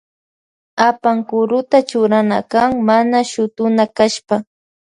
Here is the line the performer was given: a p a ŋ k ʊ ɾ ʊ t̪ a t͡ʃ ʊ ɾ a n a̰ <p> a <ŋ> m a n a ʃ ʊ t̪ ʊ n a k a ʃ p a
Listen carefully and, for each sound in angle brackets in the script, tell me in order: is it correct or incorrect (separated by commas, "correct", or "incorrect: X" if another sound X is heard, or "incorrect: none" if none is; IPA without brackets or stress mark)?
incorrect: k, correct